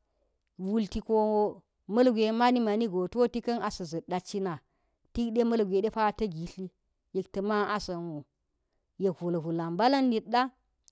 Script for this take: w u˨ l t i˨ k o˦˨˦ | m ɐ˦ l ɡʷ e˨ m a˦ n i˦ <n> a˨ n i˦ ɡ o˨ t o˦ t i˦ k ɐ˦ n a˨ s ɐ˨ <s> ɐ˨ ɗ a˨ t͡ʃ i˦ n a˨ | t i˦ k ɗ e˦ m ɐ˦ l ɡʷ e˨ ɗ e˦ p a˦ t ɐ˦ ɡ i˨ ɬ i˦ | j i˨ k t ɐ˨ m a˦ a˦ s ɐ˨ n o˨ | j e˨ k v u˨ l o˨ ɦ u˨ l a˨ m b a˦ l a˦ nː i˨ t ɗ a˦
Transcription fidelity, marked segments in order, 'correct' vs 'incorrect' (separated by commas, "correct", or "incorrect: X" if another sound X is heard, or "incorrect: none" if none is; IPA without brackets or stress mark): incorrect: m, incorrect: z